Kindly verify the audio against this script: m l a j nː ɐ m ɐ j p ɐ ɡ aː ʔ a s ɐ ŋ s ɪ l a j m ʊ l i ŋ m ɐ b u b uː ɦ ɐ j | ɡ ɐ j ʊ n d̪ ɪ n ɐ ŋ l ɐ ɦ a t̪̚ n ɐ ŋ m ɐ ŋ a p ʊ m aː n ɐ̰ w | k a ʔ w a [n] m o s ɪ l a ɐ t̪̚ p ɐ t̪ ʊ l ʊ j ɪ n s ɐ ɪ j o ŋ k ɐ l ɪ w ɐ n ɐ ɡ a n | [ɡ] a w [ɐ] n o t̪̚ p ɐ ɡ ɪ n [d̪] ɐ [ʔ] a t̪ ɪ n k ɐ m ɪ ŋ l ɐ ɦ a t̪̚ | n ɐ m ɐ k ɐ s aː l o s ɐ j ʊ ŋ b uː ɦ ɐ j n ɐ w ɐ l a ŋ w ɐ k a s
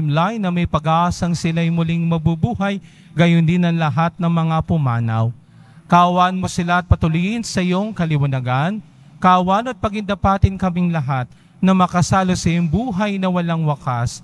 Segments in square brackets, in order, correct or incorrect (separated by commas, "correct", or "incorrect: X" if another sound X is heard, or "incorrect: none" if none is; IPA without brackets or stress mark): correct, incorrect: k, incorrect: a, correct, incorrect: p